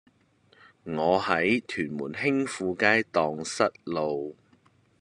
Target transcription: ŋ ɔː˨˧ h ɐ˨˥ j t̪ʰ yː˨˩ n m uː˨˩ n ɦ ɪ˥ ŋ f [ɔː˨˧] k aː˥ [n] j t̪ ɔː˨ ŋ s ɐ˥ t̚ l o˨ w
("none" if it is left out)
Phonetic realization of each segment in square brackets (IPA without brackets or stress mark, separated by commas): uː˨˧, none